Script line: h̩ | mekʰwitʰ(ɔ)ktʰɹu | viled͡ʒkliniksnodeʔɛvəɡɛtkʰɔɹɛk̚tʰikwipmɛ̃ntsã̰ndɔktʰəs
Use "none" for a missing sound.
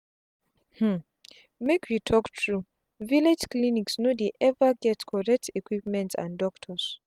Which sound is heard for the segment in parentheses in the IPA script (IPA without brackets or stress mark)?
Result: ɔ